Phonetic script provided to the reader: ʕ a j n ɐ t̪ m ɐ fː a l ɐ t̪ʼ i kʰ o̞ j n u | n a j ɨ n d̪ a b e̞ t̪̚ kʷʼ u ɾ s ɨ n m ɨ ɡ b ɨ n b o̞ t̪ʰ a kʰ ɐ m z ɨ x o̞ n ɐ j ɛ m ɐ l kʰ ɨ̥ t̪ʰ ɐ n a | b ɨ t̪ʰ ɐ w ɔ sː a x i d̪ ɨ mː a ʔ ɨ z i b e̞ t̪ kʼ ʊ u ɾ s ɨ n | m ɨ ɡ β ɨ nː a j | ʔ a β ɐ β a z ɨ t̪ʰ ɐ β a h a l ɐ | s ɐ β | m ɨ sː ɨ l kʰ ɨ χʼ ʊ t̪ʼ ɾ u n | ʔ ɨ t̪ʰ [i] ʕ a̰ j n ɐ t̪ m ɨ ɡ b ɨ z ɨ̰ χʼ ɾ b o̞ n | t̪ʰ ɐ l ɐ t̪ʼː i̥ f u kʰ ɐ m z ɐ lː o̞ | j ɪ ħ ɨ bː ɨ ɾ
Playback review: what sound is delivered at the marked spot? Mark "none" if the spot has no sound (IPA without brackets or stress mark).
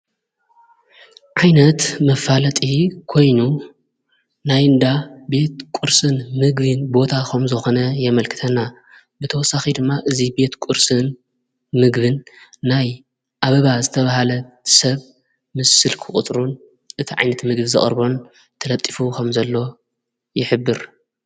i